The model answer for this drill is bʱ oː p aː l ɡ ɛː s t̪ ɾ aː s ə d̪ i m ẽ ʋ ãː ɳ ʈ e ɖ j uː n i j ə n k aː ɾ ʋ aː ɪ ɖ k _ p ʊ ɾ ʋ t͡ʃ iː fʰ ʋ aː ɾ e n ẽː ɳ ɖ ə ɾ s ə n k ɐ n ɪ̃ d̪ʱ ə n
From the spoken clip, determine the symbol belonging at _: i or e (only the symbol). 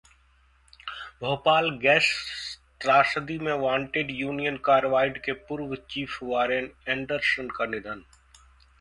e